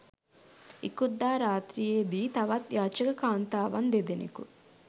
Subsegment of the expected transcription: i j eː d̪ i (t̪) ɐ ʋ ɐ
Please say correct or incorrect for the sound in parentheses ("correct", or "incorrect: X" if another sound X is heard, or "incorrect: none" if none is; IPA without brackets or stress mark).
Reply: correct